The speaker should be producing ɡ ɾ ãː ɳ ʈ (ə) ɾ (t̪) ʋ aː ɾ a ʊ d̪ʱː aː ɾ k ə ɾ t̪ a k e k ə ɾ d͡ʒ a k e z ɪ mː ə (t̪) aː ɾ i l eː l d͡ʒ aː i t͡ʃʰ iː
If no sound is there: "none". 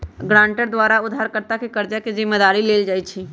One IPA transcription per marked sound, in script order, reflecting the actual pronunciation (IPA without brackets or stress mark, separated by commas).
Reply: ə, d̪, d̪